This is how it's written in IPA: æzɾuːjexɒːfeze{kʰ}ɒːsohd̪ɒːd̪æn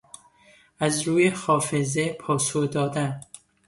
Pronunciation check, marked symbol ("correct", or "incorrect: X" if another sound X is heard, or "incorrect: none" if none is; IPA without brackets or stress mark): incorrect: pʰ